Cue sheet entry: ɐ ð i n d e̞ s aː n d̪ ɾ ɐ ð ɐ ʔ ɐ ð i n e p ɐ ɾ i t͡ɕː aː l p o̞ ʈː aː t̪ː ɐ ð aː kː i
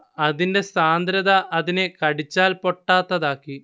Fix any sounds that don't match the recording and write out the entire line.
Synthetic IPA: ɐ ð i n d e̞ s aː n d̪ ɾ ɐ ð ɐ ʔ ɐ ð i n e k ɐ ɽ i t͡ɕː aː l p o̞ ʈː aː t̪ː ɐ ð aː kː i